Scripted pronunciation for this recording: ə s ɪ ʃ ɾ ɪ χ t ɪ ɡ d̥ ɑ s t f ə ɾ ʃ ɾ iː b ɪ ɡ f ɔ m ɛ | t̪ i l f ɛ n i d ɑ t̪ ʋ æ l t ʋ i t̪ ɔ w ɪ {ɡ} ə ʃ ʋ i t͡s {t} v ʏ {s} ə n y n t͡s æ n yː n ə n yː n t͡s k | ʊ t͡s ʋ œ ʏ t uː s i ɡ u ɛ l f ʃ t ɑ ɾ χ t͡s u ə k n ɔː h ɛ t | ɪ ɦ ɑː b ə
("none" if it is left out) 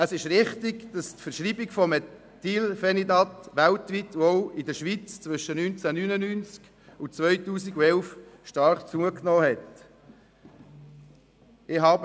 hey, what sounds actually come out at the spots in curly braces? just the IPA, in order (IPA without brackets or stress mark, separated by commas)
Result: d, t͡s, ʃ